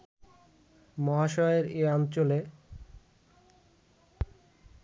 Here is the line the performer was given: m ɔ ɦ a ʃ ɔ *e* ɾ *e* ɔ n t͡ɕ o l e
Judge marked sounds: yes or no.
yes, yes

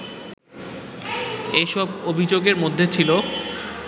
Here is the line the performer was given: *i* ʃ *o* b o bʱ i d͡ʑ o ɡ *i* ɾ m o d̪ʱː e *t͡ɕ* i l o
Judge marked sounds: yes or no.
no, no, no, no

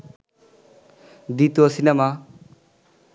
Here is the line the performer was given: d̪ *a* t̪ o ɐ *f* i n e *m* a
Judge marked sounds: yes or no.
no, no, yes

